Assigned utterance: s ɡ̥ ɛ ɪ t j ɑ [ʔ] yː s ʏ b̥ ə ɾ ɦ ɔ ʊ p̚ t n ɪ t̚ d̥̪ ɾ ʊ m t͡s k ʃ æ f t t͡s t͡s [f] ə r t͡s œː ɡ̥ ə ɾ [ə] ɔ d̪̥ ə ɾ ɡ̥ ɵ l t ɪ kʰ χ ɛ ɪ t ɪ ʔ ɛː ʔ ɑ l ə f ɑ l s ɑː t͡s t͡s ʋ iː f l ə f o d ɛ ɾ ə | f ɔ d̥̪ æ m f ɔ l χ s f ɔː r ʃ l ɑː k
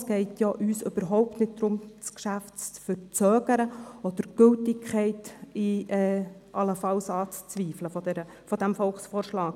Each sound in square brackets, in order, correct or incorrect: correct, correct, correct

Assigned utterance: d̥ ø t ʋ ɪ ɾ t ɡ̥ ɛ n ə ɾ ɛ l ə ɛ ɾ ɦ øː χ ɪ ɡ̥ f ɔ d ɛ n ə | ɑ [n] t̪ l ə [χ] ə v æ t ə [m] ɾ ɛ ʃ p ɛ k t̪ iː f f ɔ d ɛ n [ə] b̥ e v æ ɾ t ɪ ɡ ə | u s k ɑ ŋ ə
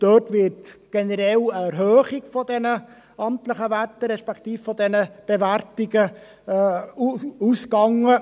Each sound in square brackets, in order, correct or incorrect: incorrect, correct, incorrect, correct

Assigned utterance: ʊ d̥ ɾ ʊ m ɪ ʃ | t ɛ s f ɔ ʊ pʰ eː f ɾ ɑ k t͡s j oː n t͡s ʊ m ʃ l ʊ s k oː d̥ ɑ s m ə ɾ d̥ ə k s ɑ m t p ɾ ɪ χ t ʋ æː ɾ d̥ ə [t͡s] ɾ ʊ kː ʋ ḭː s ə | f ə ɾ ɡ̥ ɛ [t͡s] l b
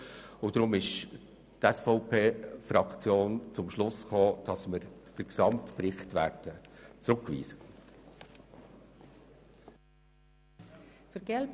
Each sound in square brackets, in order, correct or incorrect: correct, incorrect

